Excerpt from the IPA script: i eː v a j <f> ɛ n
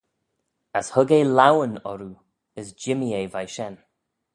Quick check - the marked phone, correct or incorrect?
incorrect